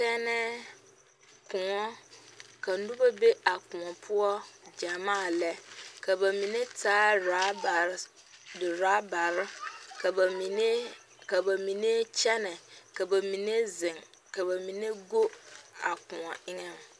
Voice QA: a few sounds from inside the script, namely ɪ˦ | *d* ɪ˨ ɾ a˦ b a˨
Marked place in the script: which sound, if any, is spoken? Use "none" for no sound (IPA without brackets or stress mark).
d